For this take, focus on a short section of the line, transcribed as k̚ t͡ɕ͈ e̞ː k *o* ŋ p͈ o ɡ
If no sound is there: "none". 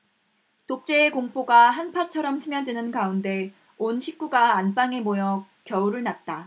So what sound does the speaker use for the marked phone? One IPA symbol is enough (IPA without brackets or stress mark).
o